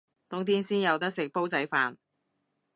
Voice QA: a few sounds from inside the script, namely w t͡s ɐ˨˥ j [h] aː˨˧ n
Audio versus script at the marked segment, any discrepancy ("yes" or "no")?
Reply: yes